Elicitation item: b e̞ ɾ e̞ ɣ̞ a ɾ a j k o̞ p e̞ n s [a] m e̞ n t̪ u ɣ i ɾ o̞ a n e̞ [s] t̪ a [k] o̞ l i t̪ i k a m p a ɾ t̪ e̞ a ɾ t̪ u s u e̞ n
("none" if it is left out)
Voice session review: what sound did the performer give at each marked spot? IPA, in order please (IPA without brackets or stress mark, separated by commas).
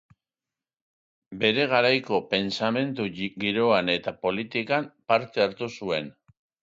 a, none, p